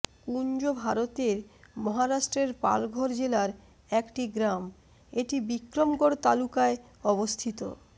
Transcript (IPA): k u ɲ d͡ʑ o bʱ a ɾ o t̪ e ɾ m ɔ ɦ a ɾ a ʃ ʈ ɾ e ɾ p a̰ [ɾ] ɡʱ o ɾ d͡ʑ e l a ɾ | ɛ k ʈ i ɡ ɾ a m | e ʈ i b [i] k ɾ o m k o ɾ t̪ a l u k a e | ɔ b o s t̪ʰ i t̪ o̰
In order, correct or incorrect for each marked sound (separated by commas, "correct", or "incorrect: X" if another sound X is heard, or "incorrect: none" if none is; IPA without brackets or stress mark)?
incorrect: l, correct